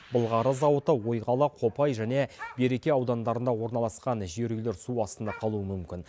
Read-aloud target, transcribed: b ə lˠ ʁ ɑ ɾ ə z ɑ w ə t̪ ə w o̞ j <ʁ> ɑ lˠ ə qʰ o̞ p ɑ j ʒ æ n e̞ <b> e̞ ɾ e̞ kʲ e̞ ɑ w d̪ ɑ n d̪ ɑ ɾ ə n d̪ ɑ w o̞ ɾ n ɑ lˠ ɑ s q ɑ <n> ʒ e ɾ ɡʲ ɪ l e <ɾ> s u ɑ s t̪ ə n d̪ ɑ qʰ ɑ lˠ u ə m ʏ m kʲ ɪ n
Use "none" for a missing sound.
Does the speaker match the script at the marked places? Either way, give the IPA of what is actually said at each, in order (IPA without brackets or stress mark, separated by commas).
ʁ, b, n, ɾ